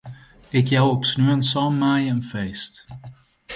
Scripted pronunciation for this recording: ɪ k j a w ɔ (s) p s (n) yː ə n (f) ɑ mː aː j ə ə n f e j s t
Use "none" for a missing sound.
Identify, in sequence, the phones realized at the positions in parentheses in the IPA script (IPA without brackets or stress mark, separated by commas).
none, n, s